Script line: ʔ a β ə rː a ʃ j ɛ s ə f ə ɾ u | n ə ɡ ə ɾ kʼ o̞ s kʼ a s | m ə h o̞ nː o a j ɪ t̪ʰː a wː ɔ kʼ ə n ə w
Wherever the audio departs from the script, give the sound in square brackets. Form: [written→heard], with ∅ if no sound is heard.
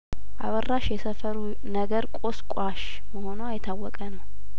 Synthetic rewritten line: ʔ a β ə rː a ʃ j ɛ s ə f ə ɾ u | n ə ɡ ə ɾ kʼ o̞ s kʼ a [s→ʃ] | m ə h o̞ [nː→n] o a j ɪ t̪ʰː a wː ɔ kʼ ə n ə w